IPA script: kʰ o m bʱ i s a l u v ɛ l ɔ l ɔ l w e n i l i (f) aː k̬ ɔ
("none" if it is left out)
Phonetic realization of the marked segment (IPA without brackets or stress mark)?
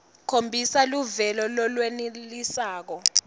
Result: s